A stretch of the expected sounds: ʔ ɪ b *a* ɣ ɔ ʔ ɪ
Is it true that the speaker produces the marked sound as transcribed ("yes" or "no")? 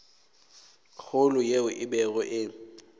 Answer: no